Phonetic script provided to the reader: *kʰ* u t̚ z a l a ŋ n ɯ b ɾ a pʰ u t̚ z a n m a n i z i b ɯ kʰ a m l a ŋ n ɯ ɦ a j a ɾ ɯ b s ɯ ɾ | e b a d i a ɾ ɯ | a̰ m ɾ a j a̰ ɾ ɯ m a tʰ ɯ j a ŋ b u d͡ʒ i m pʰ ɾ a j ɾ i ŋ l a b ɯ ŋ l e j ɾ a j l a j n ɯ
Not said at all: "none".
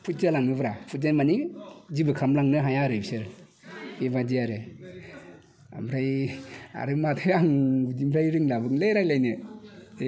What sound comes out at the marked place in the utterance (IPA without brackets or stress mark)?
pʰ